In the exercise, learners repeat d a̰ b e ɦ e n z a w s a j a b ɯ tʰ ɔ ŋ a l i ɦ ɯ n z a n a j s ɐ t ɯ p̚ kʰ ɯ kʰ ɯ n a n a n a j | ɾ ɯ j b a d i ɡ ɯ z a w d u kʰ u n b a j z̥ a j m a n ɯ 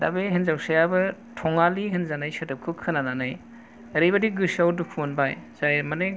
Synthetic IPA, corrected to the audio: d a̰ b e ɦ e n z a w s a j a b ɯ tʰ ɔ ŋ a l i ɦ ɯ n z a n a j s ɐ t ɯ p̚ kʰ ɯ kʰ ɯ n a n a n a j | ɾ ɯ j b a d i ɡ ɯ s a w d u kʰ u n b a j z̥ a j m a n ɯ